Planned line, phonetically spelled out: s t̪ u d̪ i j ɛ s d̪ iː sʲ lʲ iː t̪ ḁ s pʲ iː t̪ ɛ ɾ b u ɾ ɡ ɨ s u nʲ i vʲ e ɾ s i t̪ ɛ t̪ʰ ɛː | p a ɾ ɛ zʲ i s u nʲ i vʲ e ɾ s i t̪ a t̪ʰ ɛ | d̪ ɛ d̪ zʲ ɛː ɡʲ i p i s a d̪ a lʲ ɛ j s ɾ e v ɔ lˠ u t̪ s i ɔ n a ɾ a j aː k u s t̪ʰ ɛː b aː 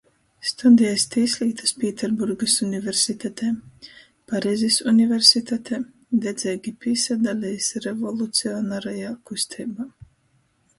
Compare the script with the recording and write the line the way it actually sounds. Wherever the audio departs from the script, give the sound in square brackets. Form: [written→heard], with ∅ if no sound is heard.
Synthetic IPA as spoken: s t̪ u d̪ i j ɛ s [d̪→t̪] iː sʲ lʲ iː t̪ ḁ s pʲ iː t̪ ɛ ɾ b u ɾ ɡ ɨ s u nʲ i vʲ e ɾ s i t̪ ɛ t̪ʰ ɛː | p a ɾ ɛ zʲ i s u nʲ i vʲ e ɾ s i t̪ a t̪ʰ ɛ | d̪ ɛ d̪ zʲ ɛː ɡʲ i p i s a d̪ a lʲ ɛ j s ɾ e v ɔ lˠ u t̪ s i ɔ n a ɾ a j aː k u s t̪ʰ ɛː b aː